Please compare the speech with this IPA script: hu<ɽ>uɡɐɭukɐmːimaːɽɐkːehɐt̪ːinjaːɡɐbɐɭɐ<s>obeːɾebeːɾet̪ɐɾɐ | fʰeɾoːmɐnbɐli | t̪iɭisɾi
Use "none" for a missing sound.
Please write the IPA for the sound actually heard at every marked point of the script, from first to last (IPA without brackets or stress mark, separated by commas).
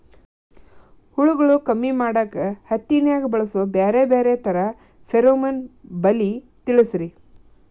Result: ɭ, s